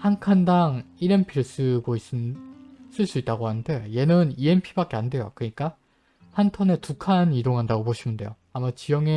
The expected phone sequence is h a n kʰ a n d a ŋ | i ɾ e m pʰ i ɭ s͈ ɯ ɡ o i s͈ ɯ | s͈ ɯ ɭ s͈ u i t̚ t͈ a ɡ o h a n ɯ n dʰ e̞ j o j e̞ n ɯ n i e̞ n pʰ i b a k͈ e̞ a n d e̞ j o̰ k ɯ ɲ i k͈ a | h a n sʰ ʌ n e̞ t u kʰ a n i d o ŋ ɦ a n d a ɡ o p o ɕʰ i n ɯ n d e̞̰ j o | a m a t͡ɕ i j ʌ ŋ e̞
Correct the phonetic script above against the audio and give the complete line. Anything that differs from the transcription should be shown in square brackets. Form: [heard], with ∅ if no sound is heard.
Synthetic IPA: h a n kʰ a n d a ŋ | i ɾ e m pʰ i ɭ s͈ ɯ ɡ o i s͈ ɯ | s͈ ɯ ɭ s͈ u i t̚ t͈ a ɡ o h a n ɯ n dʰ e̞ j o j e̞ n ɯ n i e̞ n pʰ i b a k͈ e̞ a n d e̞ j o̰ k ɯ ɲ i k͈ a | h a n [tʰ] ʌ n e̞ t u kʰ a n i d o ŋ ɦ a n d a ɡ o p o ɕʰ i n ɯ n d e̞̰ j o | a m a t͡ɕ i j ʌ ŋ e̞